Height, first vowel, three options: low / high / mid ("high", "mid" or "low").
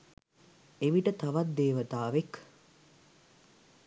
mid